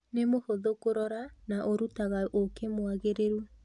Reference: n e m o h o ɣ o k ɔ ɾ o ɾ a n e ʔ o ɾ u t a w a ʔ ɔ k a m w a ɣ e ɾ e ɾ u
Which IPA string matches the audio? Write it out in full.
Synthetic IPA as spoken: n e m o h o ð o k o ɾ ɔ ɾ a n a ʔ o ɾ u t a ɣ a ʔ o k e m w a ɣ e ɾ e ɾ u